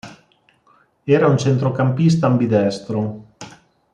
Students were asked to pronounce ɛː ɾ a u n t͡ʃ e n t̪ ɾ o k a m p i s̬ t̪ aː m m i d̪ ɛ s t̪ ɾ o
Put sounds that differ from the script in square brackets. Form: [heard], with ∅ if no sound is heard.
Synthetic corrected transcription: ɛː ɾ a u n t͡ʃ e n t̪ ɾ o k a m p i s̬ t̪ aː m [b] i d̪ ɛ s t̪ ɾ o